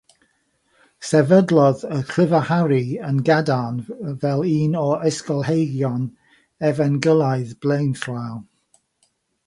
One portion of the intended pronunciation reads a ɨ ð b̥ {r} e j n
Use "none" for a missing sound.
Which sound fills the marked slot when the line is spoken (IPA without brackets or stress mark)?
l